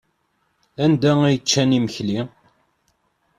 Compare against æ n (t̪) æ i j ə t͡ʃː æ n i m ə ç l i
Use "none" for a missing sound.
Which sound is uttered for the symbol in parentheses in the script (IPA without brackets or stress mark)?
d̪